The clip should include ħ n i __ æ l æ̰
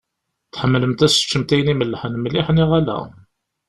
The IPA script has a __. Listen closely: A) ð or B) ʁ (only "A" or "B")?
B